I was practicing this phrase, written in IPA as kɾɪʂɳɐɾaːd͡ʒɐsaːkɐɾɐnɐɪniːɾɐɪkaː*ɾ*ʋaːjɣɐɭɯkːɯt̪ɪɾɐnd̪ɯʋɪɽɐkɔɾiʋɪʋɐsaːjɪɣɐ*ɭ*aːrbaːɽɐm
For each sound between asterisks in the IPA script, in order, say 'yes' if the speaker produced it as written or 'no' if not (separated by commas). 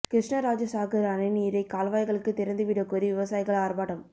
no, yes